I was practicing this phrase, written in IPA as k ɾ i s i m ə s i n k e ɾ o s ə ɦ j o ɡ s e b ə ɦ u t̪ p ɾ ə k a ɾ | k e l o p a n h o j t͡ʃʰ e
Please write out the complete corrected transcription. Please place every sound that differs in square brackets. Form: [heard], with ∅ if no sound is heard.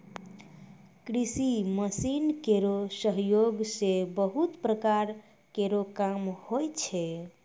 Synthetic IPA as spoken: k ɾ i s i m ə s i n k e ɾ o s ə ɦ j o ɡ s e b ə ɦ u t̪ p ɾ ə k a ɾ | k e [ɾ] o [k] a [m] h o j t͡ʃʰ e